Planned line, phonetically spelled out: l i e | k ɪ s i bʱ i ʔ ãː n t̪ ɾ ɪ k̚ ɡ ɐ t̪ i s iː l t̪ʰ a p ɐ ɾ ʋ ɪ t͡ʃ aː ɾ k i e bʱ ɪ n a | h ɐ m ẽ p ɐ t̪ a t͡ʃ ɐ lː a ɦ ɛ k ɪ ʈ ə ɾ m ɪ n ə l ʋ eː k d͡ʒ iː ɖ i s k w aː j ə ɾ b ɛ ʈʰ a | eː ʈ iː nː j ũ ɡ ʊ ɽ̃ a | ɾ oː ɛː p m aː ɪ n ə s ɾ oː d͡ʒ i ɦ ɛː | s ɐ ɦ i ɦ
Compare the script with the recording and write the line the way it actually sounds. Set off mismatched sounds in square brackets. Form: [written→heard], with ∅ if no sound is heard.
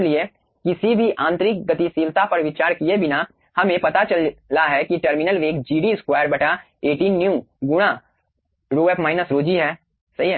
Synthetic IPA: l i e | k ɪ s i bʱ i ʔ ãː n t̪ ɾ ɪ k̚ ɡ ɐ t̪ i s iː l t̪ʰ a p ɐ ɾ ʋ ɪ t͡ʃ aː ɾ k i e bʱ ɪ n a | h ɐ m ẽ p ɐ t̪ a t͡ʃ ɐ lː a ɦ ɛ k [ɪ→i] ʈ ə ɾ m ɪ n ə l ʋ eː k d͡ʒ iː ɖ i s k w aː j ə ɾ b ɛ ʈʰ a | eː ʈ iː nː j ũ ɡ ʊ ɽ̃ a | ɾ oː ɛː p m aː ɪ n ə s ɾ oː d͡ʒ i ɦ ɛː | s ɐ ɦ i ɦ